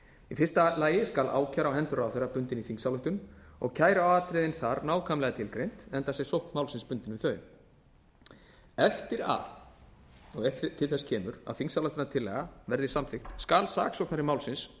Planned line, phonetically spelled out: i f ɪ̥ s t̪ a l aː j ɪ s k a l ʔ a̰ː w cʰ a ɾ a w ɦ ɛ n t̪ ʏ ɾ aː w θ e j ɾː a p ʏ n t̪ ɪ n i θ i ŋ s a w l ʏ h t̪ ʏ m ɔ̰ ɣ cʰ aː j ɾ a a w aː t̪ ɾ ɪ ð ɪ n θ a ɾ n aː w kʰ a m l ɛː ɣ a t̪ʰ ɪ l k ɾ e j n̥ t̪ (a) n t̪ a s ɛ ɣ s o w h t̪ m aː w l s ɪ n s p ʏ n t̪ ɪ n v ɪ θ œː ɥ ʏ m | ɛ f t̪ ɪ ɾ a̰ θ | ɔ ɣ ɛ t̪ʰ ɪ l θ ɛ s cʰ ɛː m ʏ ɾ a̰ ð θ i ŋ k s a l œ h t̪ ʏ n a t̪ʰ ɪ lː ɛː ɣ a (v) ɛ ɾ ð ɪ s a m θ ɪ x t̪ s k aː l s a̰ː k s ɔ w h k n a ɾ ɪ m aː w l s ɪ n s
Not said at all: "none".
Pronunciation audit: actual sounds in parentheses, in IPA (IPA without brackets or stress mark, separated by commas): ɛ, v